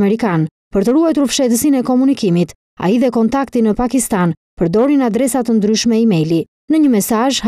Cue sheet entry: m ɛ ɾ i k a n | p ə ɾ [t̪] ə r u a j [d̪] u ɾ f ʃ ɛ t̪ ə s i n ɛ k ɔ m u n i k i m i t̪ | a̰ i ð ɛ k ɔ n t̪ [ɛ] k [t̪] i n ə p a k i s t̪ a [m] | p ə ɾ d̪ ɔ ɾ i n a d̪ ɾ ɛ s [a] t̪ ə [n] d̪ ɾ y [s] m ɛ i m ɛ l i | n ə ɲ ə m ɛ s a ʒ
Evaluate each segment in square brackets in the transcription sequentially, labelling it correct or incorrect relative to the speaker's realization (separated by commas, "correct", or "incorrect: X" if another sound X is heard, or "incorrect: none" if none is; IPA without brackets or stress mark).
correct, incorrect: t̪, incorrect: a, correct, incorrect: n, correct, correct, incorrect: ʃ